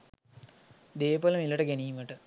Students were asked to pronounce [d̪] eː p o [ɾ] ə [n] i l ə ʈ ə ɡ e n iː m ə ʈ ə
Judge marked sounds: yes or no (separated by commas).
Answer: yes, no, no